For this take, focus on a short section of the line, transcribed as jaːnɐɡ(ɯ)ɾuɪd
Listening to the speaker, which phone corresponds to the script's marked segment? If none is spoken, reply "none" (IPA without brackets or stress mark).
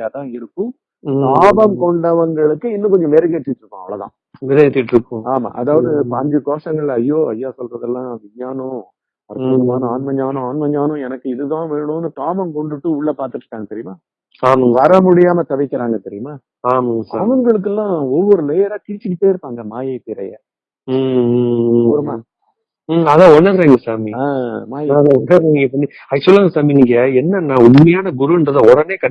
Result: ʊ